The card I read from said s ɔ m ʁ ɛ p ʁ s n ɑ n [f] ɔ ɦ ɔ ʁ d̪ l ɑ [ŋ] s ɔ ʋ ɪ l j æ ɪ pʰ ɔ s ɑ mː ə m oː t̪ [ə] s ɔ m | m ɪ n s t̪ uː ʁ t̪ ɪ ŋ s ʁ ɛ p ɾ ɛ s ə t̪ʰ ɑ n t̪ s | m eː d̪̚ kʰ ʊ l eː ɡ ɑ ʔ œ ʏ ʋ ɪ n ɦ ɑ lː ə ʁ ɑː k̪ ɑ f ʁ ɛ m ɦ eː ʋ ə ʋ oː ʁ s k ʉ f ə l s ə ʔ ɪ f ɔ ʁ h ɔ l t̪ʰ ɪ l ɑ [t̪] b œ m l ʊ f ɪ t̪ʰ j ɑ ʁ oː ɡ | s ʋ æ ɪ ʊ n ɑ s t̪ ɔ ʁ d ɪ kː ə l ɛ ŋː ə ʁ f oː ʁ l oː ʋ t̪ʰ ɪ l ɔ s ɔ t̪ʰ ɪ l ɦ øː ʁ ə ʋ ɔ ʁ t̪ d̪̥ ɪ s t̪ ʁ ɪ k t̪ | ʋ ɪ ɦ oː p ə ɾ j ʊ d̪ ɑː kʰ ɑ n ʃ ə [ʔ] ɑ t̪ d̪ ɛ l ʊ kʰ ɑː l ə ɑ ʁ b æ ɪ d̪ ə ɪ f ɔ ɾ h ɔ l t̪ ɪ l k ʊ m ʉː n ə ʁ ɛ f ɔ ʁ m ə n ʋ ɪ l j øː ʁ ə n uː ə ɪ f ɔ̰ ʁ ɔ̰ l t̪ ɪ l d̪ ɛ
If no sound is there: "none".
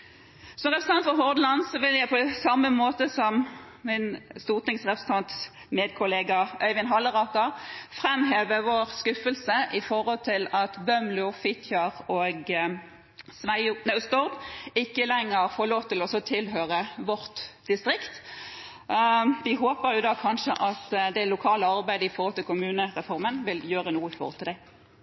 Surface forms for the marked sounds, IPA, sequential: f, n, ə, t̪, ʔ

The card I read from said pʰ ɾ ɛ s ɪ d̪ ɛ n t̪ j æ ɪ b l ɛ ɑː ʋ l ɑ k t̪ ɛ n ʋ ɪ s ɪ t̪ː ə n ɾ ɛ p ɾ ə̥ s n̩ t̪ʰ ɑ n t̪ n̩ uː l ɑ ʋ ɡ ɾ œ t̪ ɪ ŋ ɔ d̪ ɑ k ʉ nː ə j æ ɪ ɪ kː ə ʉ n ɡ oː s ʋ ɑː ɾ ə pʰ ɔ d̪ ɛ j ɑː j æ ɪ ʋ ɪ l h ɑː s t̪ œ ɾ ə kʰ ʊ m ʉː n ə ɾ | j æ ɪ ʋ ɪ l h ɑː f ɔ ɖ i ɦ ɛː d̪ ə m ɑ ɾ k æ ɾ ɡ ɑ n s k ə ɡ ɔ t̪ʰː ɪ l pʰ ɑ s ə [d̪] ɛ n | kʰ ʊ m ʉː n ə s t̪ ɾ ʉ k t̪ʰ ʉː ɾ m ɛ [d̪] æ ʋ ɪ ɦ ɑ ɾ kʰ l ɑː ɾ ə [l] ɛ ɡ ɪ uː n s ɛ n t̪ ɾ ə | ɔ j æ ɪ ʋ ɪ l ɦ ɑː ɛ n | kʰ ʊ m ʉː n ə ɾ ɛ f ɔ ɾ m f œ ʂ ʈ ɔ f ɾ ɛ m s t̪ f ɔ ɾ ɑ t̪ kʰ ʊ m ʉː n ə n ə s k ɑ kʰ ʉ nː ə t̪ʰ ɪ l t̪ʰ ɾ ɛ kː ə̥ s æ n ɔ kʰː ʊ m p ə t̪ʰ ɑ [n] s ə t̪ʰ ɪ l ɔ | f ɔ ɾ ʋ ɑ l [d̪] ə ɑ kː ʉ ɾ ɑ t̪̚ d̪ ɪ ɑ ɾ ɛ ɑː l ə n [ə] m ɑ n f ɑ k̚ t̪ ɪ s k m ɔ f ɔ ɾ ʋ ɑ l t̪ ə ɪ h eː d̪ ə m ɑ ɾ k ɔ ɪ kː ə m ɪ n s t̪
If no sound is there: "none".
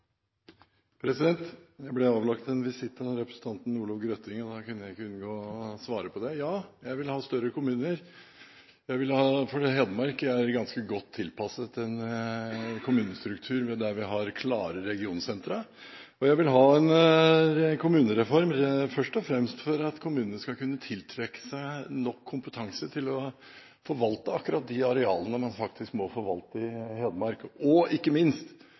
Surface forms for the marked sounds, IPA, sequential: t̪, d̪, ɾ, ŋ, t̪, ə

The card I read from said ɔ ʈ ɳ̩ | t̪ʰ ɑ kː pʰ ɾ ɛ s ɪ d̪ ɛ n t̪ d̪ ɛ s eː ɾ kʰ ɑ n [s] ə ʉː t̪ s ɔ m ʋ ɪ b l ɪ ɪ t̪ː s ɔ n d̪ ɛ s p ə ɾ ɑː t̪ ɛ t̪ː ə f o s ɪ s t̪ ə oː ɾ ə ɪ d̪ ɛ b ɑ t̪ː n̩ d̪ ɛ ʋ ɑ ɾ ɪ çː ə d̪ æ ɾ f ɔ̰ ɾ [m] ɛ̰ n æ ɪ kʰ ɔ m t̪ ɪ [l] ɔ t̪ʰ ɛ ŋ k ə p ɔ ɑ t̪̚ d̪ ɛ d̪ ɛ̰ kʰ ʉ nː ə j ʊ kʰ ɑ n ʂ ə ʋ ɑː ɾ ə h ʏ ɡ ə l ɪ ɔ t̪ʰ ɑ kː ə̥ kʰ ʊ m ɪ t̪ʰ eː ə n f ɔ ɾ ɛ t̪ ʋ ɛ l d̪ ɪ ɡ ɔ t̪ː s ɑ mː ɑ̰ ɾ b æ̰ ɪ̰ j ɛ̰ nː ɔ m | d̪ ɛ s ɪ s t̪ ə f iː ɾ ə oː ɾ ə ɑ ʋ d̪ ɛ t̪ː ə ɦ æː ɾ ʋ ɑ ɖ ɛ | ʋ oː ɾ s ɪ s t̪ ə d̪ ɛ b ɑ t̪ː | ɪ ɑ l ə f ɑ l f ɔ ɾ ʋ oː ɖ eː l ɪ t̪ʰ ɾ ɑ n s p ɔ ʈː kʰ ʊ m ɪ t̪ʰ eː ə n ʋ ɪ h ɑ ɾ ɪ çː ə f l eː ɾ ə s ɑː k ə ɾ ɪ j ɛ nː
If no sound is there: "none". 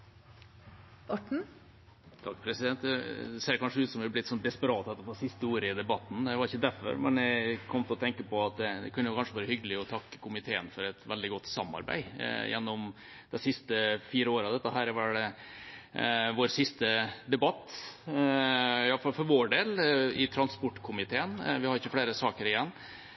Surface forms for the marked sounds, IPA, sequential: ʂ, m, l

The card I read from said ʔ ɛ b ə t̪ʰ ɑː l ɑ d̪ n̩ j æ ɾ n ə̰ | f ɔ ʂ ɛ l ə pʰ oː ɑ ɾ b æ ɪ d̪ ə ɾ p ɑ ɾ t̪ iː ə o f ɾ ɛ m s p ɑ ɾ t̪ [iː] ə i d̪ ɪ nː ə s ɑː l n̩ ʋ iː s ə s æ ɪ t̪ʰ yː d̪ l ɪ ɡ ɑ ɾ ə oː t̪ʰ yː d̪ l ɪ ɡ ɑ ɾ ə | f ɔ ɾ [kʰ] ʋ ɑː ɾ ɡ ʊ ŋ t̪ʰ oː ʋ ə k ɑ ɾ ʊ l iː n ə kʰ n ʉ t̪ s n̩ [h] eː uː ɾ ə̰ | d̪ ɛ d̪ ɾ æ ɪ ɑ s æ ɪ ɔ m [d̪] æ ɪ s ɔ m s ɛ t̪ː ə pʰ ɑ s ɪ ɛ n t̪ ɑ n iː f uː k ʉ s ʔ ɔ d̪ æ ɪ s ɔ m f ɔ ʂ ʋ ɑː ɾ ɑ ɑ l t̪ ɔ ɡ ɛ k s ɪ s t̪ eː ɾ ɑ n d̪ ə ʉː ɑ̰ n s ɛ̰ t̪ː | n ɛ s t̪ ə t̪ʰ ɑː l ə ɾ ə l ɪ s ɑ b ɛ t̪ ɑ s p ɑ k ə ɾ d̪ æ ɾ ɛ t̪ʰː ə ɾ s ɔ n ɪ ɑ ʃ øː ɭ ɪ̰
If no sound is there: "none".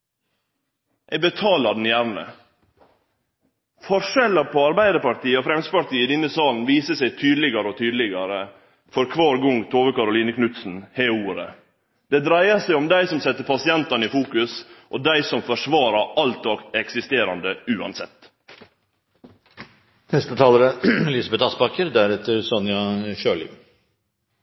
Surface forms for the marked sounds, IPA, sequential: iː, kʰ, h, d̪

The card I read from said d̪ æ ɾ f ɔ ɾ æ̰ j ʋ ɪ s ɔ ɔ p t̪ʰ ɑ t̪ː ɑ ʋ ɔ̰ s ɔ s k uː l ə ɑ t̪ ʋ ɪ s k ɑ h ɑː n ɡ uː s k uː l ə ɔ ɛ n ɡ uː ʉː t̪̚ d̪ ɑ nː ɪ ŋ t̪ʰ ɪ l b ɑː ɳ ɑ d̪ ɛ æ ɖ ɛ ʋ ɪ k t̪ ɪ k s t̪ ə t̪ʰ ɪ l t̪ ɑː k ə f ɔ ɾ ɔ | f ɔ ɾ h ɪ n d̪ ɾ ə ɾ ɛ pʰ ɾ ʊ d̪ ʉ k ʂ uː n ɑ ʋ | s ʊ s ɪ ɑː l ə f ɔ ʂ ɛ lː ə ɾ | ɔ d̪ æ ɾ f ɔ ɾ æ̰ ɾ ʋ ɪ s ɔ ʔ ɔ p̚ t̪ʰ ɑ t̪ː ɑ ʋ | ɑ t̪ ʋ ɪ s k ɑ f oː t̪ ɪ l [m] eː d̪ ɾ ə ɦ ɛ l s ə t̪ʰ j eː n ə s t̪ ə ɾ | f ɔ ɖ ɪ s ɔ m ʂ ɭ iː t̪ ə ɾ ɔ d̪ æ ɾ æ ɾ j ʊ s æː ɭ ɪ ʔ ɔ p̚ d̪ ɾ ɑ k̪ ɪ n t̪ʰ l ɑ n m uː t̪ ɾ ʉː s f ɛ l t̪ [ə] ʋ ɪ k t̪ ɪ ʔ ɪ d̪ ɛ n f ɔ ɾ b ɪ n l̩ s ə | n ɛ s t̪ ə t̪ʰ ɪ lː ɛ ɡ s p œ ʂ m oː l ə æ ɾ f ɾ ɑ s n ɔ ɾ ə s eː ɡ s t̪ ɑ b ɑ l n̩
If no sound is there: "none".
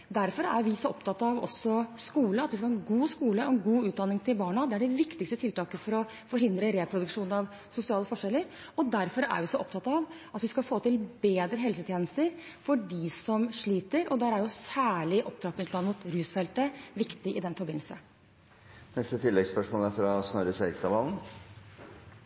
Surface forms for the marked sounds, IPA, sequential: b, ə

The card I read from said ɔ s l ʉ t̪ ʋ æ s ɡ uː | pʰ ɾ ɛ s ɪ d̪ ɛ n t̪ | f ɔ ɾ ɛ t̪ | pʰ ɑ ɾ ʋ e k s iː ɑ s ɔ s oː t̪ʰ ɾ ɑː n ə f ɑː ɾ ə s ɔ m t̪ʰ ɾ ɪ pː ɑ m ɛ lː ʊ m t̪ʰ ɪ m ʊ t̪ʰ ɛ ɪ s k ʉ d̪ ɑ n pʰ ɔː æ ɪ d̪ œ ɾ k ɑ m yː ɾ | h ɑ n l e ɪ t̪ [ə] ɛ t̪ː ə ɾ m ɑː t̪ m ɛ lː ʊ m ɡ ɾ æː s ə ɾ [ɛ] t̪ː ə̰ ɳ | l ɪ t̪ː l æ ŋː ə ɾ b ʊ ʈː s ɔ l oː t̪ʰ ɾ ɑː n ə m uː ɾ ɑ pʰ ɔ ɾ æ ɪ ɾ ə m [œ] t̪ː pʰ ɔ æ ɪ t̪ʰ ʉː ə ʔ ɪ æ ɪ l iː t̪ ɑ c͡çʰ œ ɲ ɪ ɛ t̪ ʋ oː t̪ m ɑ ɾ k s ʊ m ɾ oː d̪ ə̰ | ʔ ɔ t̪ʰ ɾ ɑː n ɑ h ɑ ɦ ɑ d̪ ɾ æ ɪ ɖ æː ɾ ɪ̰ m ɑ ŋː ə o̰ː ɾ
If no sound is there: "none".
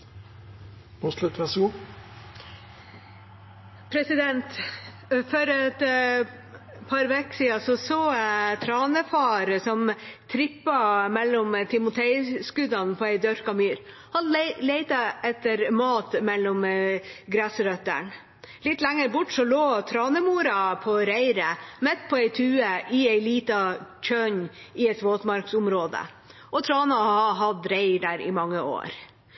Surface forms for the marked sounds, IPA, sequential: ɑ, œ, ɛ

